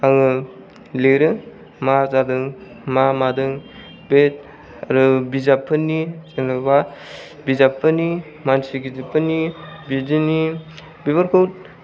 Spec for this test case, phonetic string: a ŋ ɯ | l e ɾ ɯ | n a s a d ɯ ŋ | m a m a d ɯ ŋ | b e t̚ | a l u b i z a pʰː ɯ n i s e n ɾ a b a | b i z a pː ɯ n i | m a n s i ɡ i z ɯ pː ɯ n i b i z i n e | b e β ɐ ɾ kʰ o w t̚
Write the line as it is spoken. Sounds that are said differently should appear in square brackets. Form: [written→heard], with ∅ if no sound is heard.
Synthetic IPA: a ŋ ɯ | l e ɾ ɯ | [n→m] a [s→z] a d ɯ ŋ | m a m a d ɯ ŋ | b e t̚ | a [l→ɾ] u b i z a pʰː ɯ n i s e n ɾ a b a | b i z a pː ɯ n i | m a n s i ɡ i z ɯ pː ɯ n i b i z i n [e→i] | b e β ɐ ɾ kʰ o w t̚